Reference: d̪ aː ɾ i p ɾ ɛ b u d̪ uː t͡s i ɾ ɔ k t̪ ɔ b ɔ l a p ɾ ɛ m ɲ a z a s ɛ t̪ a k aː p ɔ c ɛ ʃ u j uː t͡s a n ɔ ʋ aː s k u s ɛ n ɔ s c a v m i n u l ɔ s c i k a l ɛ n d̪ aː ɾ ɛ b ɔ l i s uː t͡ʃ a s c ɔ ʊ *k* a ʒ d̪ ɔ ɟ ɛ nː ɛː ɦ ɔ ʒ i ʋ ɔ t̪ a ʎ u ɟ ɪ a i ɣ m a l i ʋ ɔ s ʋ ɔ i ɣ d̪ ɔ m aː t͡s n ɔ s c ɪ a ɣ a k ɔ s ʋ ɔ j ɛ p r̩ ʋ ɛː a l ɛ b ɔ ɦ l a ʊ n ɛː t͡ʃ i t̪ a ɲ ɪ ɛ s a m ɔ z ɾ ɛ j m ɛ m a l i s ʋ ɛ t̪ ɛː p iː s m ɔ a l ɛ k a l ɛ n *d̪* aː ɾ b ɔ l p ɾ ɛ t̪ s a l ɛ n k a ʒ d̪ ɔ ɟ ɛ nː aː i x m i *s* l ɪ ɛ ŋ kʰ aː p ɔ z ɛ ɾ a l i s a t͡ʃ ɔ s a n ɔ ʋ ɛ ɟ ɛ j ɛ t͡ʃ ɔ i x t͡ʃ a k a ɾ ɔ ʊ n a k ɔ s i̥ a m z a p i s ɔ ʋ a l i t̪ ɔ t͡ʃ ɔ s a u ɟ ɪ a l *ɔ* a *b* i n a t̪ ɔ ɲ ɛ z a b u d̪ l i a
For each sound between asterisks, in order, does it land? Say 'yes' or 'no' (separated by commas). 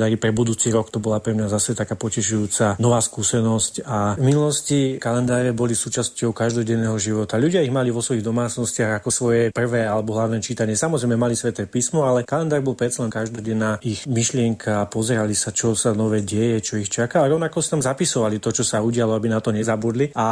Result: yes, yes, no, yes, yes